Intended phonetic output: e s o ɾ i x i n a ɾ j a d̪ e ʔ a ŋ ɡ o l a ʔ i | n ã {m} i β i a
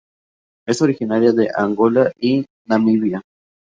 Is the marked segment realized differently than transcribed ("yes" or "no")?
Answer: no